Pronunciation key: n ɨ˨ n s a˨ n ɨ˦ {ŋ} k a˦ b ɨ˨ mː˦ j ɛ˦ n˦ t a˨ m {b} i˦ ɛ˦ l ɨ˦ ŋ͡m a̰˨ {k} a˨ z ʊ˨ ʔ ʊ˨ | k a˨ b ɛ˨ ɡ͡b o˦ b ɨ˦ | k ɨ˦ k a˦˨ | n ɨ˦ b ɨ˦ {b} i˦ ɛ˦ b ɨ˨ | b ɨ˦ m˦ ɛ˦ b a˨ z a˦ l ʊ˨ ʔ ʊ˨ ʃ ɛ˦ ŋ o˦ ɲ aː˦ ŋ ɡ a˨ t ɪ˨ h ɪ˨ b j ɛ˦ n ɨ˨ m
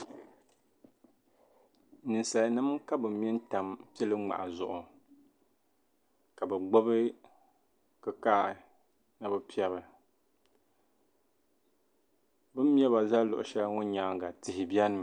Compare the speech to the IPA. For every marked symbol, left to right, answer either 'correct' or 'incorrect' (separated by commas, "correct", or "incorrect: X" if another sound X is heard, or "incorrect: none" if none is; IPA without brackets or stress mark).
incorrect: m, incorrect: p, incorrect: ʔ, incorrect: p